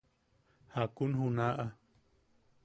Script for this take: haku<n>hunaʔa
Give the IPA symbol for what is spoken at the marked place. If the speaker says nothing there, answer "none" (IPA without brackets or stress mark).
n